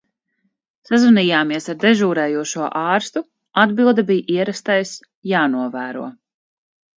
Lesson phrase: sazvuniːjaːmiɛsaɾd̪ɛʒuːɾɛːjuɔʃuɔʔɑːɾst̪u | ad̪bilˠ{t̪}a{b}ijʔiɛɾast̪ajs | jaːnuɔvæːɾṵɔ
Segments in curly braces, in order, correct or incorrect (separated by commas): incorrect, correct